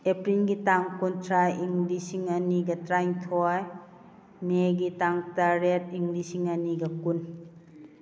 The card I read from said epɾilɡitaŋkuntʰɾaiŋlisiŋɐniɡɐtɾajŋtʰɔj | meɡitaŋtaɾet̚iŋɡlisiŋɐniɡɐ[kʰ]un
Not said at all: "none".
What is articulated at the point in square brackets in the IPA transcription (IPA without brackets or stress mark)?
k